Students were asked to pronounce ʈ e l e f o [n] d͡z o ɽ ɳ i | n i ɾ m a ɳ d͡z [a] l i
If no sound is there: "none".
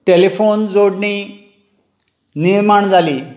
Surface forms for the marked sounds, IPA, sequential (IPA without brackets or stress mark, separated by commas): n, a